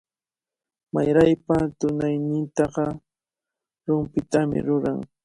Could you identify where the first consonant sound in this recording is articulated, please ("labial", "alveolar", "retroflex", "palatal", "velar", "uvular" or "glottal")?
labial